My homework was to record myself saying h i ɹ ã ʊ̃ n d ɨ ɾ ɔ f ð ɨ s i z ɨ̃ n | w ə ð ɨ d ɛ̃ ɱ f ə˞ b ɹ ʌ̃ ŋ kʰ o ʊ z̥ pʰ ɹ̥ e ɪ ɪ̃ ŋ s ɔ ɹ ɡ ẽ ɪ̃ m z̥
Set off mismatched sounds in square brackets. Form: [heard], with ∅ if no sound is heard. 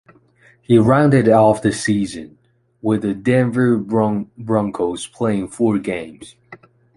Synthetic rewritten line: h i ɹ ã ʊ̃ n d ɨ ɾ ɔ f ð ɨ s i z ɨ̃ n | w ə ð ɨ d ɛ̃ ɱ [v] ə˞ b ɹ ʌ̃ ŋ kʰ o ʊ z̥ pʰ [l̥] e ɪ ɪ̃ ŋ [f] ɔ ɹ ɡ ẽ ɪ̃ m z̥